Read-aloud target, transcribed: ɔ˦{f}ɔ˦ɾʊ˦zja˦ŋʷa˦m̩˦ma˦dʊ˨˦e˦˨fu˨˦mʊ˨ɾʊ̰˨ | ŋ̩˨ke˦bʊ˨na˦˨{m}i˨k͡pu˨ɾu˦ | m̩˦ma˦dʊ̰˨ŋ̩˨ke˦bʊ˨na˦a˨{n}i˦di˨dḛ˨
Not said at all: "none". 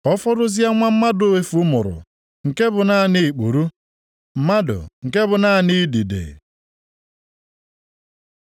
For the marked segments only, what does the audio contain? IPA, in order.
f, n, n

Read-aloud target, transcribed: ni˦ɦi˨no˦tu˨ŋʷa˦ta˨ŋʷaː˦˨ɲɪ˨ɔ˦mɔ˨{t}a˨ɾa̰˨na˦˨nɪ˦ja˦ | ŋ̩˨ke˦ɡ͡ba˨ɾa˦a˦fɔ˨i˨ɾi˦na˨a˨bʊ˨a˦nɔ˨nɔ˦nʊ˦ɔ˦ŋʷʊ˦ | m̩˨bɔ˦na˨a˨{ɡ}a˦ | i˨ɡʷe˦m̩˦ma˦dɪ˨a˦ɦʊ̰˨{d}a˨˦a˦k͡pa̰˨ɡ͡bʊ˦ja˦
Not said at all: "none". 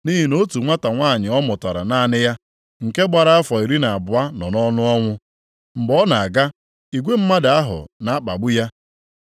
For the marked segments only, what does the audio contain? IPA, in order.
t, ɡ, n

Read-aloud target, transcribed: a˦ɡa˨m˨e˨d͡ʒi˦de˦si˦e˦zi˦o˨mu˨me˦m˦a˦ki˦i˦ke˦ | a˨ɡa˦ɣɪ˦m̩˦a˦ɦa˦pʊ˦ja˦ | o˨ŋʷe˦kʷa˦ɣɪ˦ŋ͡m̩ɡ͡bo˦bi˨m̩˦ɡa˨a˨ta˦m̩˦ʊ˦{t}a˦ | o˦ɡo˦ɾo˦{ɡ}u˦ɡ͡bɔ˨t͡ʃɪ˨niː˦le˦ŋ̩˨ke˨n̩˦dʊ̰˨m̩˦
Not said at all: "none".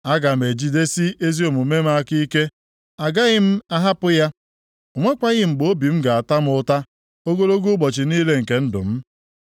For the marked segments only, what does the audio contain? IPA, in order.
t, ɡ

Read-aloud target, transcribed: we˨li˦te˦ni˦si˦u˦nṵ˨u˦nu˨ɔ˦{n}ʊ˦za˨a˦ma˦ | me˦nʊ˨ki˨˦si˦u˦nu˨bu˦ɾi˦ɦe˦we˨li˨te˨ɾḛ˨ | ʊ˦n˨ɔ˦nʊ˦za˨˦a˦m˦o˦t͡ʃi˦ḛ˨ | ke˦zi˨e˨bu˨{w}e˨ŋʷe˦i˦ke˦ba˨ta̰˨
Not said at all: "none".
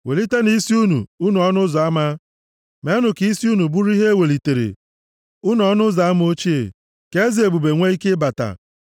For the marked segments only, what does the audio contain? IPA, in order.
n, b

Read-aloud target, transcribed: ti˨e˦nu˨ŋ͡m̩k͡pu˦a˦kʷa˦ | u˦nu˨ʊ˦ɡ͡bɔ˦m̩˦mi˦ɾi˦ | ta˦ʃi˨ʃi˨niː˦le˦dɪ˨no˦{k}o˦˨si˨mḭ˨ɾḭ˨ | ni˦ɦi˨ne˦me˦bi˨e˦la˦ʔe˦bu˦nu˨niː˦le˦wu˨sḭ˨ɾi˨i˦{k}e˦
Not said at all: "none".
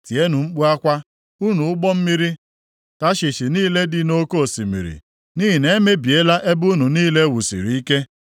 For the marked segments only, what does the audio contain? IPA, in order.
k, k

